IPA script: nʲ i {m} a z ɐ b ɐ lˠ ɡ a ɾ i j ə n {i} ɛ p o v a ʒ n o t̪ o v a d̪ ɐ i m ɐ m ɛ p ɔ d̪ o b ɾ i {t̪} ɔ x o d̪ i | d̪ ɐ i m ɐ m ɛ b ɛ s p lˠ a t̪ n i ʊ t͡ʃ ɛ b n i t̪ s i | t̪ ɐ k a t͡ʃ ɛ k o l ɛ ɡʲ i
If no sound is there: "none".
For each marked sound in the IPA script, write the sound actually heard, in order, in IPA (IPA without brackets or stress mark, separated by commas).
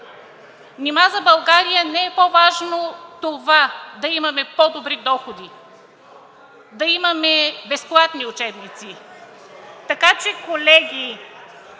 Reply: m, ɛ, d̪